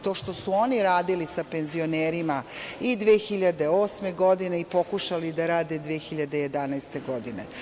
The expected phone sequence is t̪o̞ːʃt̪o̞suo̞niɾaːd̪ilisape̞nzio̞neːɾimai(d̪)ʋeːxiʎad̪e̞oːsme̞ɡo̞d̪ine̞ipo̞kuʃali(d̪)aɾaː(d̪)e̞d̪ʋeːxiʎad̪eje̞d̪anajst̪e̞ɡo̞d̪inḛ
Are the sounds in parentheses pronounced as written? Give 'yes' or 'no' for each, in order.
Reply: yes, yes, yes

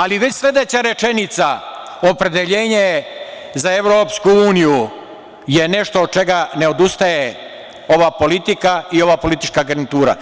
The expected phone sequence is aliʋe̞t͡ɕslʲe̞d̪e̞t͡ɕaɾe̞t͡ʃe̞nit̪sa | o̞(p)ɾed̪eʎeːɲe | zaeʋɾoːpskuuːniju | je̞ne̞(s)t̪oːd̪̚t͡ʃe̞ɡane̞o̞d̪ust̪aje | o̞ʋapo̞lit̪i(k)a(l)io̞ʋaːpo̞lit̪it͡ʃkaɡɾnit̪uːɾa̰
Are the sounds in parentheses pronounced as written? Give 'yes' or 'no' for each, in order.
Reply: yes, no, yes, no

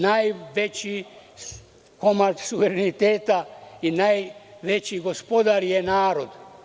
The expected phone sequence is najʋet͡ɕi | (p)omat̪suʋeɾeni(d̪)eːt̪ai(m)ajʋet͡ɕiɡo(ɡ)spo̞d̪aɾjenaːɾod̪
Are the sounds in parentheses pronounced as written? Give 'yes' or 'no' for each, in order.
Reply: no, no, no, no

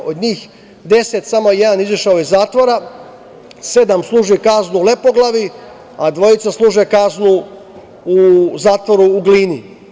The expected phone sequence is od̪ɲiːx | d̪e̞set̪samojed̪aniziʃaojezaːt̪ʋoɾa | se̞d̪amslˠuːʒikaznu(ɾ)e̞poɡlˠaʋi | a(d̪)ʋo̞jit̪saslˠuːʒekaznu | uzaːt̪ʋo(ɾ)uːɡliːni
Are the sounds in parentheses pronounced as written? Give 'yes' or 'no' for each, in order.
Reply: no, yes, yes

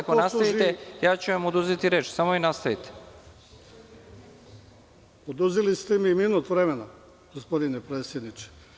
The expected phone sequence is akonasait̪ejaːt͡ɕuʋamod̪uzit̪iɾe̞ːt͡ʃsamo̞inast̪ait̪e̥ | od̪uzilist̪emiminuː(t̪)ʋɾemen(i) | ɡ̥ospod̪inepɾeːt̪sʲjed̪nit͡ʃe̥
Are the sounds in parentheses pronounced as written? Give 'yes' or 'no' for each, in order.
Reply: yes, no

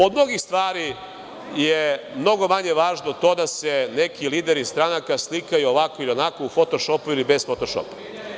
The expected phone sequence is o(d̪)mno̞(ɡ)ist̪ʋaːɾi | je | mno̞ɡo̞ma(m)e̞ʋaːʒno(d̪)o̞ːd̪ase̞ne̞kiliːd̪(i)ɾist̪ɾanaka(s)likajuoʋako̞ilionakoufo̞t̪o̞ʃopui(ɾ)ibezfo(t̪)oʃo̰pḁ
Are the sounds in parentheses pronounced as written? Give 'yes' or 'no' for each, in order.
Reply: yes, yes, no, no, no, yes, no, yes

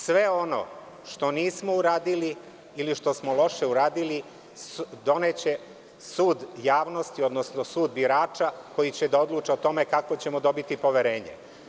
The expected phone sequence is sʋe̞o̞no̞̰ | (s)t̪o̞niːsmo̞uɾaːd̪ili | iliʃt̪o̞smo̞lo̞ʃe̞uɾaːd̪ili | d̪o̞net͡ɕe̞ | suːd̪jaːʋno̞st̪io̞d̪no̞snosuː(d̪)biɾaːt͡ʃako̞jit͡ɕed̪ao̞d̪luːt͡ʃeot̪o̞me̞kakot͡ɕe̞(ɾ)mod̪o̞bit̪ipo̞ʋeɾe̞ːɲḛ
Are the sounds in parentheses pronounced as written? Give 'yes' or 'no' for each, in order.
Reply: no, yes, no

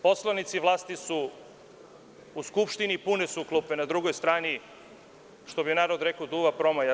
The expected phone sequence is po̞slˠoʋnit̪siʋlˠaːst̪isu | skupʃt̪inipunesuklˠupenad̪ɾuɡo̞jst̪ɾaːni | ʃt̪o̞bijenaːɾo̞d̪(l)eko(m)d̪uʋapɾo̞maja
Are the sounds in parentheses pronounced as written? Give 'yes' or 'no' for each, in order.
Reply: no, no

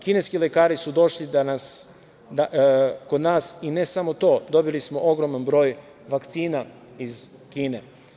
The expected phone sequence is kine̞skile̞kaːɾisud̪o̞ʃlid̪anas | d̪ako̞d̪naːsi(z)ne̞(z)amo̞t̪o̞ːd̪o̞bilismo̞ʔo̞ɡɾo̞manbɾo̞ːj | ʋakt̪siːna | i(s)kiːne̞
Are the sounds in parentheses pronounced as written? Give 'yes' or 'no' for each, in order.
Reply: no, no, no

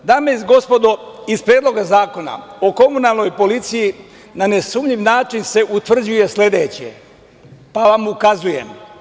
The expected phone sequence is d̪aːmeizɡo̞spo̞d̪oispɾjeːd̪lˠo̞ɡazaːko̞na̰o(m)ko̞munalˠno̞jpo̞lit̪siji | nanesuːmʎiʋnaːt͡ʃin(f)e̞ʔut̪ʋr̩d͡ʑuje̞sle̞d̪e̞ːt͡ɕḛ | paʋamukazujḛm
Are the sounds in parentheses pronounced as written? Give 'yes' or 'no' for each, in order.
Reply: no, no

